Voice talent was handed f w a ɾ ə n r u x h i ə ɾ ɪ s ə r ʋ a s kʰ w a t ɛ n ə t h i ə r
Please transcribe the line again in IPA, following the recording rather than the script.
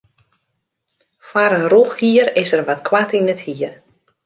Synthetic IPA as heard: f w a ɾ ə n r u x h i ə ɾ ɪ s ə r ʋ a t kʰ w a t i n ə t h i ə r